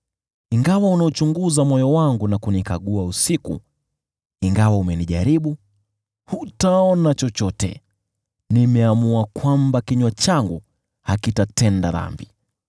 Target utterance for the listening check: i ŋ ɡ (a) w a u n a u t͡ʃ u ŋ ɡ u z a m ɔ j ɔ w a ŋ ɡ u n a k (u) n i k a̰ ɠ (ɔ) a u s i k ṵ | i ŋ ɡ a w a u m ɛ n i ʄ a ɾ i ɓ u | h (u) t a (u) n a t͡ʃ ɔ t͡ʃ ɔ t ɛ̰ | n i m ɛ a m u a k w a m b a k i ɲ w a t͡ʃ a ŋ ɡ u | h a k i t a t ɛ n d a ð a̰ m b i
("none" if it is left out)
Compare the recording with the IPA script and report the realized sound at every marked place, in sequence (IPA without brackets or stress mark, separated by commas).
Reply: a, u, u, u, ɔ